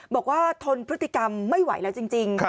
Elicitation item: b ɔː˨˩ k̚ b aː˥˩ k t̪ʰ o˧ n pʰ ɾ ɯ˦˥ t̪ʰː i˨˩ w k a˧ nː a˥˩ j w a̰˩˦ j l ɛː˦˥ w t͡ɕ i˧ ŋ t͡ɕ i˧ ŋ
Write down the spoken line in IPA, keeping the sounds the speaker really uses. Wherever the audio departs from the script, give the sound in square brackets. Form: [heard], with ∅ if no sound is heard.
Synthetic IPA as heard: b ɔː˨˩ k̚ [w] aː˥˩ [∅] t̪ʰ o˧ n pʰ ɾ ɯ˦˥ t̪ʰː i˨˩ [∅] k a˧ [mː] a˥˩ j w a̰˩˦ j l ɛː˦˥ w t͡ɕ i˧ ŋ t͡ɕ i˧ ŋ